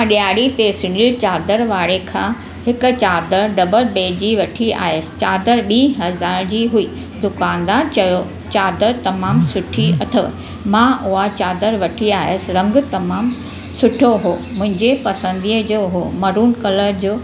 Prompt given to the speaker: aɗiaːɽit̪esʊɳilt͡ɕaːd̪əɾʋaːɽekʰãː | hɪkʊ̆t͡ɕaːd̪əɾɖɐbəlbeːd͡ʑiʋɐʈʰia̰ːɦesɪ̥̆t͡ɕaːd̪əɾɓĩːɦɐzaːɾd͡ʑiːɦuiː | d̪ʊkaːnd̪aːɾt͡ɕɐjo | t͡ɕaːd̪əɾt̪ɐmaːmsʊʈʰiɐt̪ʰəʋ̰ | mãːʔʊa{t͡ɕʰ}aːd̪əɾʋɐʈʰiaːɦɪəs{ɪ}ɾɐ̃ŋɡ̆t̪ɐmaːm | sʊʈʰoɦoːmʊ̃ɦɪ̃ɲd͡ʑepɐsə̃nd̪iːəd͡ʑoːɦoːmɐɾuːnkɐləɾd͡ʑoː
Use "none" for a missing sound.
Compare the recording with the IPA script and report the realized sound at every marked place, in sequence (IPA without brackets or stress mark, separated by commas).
t͡ɕ, ɪ